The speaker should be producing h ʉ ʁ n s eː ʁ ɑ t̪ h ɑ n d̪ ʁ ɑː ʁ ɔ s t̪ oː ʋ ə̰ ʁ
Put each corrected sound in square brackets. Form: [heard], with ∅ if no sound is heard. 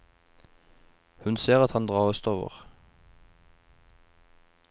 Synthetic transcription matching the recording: h ʉ [∅] n s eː ʁ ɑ t̪ h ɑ n d̪ ʁ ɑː ʁ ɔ s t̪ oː ʋ ə̰ ʁ

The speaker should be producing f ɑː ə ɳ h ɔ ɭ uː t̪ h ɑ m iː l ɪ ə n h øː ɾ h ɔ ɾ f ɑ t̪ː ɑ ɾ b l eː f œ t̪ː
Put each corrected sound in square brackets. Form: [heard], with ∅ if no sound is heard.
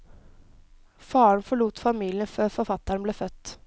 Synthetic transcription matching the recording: f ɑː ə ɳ [f] ɔ ɭ uː t̪ [f] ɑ m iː l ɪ ə n [f] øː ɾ [f] ɔ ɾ f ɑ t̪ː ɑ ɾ b l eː f œ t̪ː

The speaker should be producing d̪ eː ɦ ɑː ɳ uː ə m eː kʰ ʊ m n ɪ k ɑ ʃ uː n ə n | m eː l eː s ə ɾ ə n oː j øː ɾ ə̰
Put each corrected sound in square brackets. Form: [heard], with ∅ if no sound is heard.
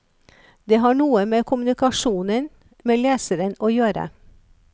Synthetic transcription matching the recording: d̪ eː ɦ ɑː ɳ uː ə m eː kʰ ʊ m n ɪ k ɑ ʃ uː n ə n | m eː l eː s ə ɾ ə n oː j øː ɾ ə̰

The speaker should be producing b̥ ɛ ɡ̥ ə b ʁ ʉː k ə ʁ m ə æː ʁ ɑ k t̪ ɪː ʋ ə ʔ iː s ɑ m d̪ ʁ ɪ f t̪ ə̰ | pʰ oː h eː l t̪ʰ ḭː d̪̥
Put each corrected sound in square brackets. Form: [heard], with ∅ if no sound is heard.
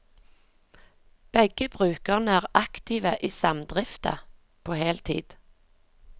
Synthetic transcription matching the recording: b̥ ɛ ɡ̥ ə b ʁ ʉː k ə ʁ [n] ə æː ʁ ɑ k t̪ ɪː ʋ ə ʔ iː s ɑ m d̪ ʁ ɪ f t̪ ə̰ | pʰ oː h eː l t̪ʰ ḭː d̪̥

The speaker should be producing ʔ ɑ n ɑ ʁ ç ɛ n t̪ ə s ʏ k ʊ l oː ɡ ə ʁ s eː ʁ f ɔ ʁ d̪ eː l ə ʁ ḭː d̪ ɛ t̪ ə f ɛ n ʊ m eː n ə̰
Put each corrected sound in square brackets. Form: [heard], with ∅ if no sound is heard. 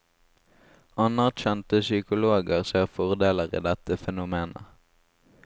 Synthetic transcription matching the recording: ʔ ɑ n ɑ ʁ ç ɛ n t̪ ə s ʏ k ʊ l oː ɡ ə ʁ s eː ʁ f ɔ ʁ d̪ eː l ə ʁ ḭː d̪ ɛ t̪ ə f ɛ n ʊ m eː n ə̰

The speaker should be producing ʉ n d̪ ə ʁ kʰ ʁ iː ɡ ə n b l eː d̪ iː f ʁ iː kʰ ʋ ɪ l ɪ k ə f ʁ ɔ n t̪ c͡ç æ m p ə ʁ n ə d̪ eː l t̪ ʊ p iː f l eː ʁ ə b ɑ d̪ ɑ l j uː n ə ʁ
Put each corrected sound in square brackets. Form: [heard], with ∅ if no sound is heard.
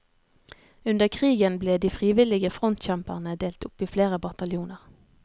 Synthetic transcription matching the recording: ʉ n d̪ ə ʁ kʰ ʁ iː ɡ ə n b l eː d̪ iː f ʁ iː [∅] ʋ ɪ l ɪ [ɡ] ə f ʁ ɔ n t̪ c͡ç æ m p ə ʁ n ə d̪ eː l t̪ ʊ p iː f l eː ʁ ə b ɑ [t̪] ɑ l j uː n ə ʁ

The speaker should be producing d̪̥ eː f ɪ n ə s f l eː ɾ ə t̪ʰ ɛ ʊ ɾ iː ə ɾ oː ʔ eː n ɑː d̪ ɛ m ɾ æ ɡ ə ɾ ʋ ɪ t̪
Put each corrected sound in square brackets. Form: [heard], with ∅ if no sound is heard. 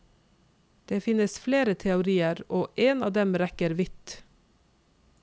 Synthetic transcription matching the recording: d̪̥ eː f ɪ n ə s f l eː ɾ ə t̪ʰ ɛ ʊ ɾ iː ə ɾ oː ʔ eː n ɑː d̪ ɛ m ɾ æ [k] ə ɾ ʋ ɪ t̪

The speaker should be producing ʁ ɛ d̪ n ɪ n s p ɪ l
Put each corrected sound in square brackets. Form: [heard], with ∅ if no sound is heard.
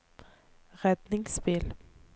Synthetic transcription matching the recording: ʁ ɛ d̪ n ɪ [ŋ] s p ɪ l

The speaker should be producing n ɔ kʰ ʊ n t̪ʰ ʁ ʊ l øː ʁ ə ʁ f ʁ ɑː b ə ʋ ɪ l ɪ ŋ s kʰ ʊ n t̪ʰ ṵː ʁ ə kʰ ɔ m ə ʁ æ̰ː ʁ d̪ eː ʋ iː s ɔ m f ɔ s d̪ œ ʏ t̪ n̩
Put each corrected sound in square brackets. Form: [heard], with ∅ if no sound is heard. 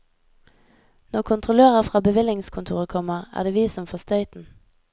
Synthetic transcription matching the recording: n ɔ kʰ ʊ n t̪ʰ ʁ ʊ l øː ʁ ə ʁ f ʁ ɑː b ə ʋ ɪ l ɪ ŋ s kʰ ʊ n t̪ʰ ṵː ʁ ə kʰ ɔ m ə ʁ æ̰ː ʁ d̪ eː ʋ iː s ɔ m f ɔ s [t̪] œ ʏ t̪ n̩

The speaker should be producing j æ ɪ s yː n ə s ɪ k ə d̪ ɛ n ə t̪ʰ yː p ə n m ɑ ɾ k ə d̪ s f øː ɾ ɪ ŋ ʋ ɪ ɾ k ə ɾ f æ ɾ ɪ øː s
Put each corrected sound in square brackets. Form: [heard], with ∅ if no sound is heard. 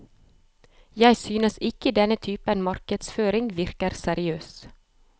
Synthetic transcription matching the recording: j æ ɪ s yː n ə s ɪ k ə d̪ ɛ n ə t̪ʰ yː p ə n m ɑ ɾ k ə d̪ s f øː ɾ ɪ ŋ ʋ ɪ ɾ k ə ɾ [s] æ ɾ ɪ øː s

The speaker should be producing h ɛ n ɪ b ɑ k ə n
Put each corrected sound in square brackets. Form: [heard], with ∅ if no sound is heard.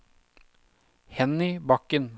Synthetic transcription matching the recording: h ɛ n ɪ b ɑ k ə n

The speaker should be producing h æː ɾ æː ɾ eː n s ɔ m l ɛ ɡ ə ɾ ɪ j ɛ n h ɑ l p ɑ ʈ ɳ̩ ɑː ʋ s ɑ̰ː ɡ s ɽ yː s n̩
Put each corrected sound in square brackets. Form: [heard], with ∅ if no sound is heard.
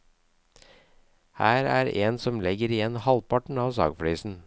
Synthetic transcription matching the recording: h æː ɾ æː ɾ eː n s ɔ m l ɛ ɡ ə ɾ ɪ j ɛ n h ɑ l p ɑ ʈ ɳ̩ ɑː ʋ s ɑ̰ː ɡ [f] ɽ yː s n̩

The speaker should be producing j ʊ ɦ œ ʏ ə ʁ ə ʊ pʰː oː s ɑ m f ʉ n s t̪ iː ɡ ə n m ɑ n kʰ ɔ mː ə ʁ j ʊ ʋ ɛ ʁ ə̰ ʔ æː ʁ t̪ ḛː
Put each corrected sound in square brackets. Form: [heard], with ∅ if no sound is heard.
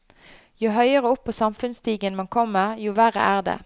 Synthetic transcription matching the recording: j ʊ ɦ œ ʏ ə ʁ ə ʊ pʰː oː s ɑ m f ʉ n s t̪ iː ɡ ə n m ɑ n kʰ ɔ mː ə ʁ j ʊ ʋ [æ] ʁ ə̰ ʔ æː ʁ [d̪] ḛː

